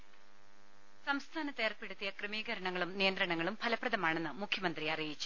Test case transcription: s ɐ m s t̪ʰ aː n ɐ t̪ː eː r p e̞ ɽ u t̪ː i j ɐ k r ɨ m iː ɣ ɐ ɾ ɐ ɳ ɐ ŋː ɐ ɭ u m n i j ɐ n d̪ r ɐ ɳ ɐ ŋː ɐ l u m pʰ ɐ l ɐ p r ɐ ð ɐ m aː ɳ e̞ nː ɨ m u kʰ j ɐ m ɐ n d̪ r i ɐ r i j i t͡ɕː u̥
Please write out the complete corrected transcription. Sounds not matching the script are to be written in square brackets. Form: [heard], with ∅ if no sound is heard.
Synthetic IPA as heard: s ɐ m s t̪ʰ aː n ɐ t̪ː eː r p e̞ ɽ u t̪ː i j ɐ k r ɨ m iː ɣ ɐ ɾ ɐ ɳ ɐ ŋː ɐ ɭ u m n i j ɐ n d̪ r ɐ ɳ ɐ ŋː ɐ [ɭ] u m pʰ ɐ l ɐ p r ɐ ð ɐ m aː ɳ e̞ nː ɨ m u kʰ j ɐ m ɐ n d̪ r i ɐ r i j i t͡ɕː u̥